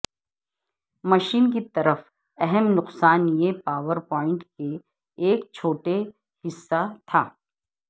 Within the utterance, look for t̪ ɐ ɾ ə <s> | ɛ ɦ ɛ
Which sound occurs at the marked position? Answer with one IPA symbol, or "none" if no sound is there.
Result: f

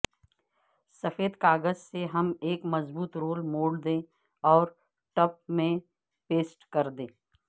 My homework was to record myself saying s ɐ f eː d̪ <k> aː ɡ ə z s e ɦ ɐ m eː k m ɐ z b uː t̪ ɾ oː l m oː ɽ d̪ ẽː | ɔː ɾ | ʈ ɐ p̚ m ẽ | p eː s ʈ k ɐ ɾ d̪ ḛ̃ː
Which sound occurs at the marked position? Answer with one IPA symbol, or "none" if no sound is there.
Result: k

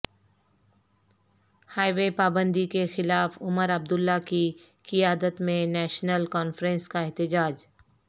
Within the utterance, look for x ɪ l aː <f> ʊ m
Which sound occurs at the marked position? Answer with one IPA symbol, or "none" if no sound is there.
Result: f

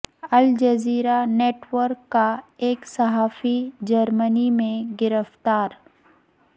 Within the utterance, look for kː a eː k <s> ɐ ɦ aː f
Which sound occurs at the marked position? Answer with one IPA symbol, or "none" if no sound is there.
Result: s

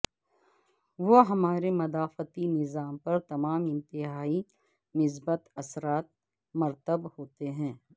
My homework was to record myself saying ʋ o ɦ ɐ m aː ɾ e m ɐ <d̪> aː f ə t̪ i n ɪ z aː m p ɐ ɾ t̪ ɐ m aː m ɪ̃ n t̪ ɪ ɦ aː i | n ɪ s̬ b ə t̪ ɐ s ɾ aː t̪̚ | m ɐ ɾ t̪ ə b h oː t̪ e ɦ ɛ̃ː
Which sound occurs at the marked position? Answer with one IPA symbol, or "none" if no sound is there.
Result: d̪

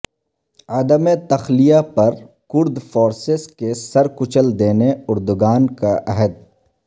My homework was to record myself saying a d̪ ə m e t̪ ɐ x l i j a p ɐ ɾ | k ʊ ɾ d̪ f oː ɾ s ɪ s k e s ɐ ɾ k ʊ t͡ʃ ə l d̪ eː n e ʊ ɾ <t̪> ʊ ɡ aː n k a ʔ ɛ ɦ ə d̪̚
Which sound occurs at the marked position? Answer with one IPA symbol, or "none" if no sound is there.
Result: d̪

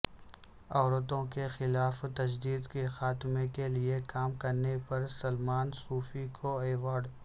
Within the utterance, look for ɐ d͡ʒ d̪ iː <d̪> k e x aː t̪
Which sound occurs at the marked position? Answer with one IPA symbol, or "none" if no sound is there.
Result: d̪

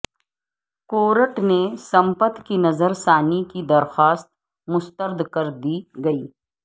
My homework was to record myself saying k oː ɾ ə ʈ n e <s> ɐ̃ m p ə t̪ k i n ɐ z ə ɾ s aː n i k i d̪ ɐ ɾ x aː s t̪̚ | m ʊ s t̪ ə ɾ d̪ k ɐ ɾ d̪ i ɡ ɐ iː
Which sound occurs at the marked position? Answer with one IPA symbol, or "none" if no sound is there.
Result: s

